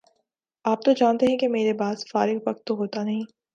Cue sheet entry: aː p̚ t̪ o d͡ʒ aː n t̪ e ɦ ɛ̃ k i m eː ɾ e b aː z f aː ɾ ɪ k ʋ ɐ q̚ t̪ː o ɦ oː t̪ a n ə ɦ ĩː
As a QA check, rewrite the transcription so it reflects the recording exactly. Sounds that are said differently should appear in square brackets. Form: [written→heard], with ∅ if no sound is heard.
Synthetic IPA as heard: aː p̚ t̪ o d͡ʒ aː n t̪ e ɦ ɛ̃ k [i→e] m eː ɾ e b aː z f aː ɾ ɪ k ʋ ɐ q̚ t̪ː o ɦ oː t̪ a n [ə→ɐ] ɦ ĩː